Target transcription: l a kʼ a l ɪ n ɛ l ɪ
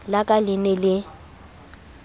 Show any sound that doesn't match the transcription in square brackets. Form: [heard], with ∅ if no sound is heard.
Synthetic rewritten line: l a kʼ a l ɪ n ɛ l ɪ